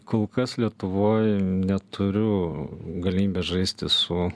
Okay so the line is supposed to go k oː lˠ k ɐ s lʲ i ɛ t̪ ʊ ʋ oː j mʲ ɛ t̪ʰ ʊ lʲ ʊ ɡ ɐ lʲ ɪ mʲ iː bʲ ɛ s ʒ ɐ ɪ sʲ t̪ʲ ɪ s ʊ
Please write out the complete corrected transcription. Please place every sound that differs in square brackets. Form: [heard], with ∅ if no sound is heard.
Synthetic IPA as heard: k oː lˠ k ɐ s lʲ i ɛ t̪ ʊ ʋ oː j [nʲ] ɛ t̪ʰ ʊ [ɾʲ] ʊ ɡ ɐ lʲ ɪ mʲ iː bʲ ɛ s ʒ ɐ ɪ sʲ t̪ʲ ɪ s ʊ